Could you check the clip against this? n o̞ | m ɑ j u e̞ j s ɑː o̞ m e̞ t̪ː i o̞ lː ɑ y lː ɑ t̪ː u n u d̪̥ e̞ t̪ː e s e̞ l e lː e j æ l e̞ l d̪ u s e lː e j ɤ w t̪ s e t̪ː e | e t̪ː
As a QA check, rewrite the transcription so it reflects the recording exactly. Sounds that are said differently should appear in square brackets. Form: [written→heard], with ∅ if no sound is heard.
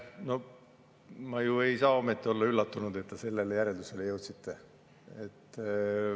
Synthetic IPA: n o̞ | m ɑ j u e̞ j s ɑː o̞ m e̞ t̪ː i o̞ lː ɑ y lː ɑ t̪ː u n u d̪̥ e̞ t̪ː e s e̞ [l→lː] e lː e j æ [l→ɾ] e̞ l d̪ u s e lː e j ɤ w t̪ s [e→i] t̪ː e | e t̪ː

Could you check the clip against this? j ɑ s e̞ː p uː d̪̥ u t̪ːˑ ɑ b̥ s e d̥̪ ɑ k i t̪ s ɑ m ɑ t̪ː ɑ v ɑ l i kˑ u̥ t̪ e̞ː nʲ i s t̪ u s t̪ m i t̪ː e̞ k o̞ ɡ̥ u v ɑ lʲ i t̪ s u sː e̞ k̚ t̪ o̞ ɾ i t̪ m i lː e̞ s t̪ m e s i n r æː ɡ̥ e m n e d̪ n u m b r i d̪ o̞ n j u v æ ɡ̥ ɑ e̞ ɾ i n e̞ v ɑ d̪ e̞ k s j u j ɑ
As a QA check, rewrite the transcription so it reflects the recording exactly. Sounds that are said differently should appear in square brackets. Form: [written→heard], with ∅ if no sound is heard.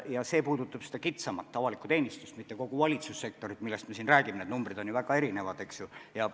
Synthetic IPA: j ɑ s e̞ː p uː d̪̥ u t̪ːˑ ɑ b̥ s e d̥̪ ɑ k i t̪ s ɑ m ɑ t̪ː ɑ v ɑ l i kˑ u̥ t̪ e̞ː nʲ i s t̪ u s t̪ m i t̪ː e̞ k o̞ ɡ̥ u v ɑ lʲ i t̪ s u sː e̞ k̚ t̪ o̞ ɾ i t̪ m i lː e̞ s t̪ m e s i n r æː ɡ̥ [e→i] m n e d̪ n u m b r i d̪ o̞ n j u v æ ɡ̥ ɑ e̞ ɾ i n e̞ v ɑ d̪ e̞ k s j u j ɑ

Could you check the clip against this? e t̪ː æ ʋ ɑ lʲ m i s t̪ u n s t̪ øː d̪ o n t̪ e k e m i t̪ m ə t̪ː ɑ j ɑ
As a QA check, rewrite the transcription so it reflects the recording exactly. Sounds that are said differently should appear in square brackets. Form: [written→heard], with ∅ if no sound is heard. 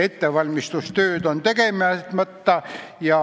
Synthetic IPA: e t̪ː [æ→e] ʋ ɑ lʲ m i s t̪ u [n→∅] s t̪ øː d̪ o n t̪ e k e m [i→æ] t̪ m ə t̪ː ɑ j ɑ

